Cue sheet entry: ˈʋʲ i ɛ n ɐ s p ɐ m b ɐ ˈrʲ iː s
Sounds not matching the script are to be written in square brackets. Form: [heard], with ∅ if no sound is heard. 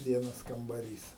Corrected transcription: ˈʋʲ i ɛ n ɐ s [k] ɐ m b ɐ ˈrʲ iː s